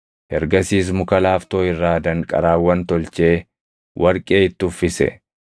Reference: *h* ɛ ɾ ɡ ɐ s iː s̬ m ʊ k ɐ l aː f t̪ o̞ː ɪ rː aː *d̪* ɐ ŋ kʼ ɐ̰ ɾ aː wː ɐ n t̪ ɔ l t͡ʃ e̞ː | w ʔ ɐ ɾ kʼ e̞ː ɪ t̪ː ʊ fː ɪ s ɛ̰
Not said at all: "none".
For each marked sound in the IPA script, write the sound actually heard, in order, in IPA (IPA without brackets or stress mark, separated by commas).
h, d̪